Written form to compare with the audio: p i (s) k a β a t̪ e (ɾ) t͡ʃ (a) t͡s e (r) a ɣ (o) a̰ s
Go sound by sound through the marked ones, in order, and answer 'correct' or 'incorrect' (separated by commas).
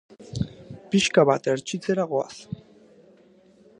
incorrect, correct, incorrect, incorrect, correct